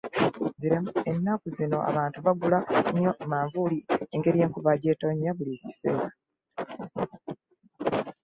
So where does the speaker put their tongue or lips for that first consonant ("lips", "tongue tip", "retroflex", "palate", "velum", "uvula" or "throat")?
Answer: tongue tip